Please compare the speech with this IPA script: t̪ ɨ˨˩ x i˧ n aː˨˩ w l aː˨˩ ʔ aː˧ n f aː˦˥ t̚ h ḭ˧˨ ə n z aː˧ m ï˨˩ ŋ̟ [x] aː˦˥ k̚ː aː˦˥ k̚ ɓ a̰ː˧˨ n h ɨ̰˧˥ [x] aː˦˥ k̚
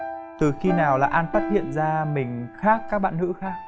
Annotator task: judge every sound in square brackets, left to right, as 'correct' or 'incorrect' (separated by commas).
correct, correct